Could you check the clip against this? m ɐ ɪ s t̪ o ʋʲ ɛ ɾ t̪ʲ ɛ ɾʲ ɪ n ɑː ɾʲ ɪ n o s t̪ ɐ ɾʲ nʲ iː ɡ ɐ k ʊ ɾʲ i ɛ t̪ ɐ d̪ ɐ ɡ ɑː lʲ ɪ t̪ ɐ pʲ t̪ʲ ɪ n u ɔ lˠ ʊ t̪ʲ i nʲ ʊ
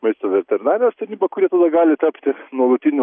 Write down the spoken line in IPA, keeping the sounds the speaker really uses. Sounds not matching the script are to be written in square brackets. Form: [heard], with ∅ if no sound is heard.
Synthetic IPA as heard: m ɐ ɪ s t̪ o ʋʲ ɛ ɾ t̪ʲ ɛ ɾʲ ɪ n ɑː ɾʲ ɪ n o s t̪ ɐ ɾʲ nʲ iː [b] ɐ k ʊ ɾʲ i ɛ t̪ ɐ d̪ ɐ ɡ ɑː lʲ ɪ t̪ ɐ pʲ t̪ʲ ɪ n u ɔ lˠ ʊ t̪ʲ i nʲ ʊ